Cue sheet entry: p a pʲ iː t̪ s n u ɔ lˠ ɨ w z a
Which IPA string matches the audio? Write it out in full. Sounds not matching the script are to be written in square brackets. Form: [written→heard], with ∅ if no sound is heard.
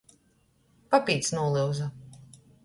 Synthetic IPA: p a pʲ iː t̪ s n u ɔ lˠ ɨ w z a